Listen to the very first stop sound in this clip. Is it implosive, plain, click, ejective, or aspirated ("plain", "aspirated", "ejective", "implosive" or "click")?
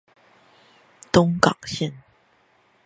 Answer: plain